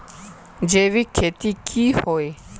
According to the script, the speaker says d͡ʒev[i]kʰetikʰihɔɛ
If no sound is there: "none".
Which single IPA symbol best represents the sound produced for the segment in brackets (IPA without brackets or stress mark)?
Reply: i